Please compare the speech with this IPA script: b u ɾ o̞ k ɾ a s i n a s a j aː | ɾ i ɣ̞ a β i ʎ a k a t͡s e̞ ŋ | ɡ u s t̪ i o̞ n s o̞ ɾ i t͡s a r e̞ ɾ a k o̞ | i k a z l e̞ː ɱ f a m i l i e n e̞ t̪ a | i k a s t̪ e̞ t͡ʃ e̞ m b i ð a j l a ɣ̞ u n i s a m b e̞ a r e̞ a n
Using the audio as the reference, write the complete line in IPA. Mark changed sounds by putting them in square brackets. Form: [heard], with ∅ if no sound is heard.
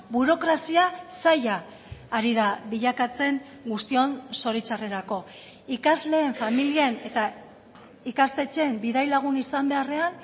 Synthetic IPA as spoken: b u ɾ o̞ k ɾ a s i [∅] a s a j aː | ɾ i [ð̞] a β i ʎ a k a t͡s e̞ ŋ | ɡ u s t̪ i o̞ n s o̞ ɾ i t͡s a r e̞ ɾ a k o̞ | i k a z l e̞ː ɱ f a m i l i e n e̞ t̪ a | i k a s t̪ e̞ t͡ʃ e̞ m b i ð a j l a ɣ̞ u n i s a m b e̞ a r e̞ a n